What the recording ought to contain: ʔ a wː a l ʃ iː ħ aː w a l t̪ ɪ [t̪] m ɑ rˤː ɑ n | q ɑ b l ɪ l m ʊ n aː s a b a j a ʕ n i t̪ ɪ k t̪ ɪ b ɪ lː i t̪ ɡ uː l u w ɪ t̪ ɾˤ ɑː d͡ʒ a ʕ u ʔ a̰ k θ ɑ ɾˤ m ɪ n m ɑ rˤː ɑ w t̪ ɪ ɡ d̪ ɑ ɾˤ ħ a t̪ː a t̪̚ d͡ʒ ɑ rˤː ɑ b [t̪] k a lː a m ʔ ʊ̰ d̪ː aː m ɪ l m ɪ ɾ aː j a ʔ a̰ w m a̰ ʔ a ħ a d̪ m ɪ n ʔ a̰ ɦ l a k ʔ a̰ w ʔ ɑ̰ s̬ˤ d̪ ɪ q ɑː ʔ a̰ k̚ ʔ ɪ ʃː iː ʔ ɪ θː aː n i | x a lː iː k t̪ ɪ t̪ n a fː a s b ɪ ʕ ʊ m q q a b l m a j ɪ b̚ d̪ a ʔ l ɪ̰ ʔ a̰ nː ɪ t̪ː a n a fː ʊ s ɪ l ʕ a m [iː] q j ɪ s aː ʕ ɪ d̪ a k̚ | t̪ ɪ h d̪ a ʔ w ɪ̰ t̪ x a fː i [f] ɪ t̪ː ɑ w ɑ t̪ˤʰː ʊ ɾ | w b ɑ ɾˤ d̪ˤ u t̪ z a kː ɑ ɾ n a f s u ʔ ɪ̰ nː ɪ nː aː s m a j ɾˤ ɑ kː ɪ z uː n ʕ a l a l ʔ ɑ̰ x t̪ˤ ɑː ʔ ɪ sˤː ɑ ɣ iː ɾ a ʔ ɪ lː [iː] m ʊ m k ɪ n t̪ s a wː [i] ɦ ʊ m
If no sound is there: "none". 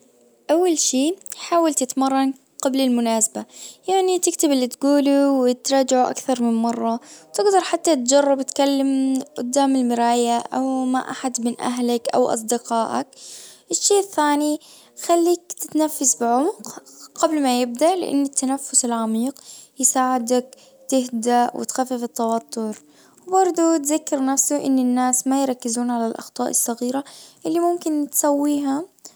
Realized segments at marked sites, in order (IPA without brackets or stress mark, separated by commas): t̪, t̪, iː, f, i, iː